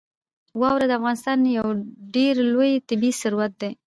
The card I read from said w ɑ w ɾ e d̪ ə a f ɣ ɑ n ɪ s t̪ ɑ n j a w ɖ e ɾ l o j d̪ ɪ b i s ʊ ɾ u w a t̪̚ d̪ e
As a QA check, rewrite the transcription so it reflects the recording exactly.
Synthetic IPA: w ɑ w ɾ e d̪ ə a f ɣ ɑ n ɪ s t̪ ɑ n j a w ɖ e ɾ l o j t̪ ɪ b i s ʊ ɾ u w a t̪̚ d̪ e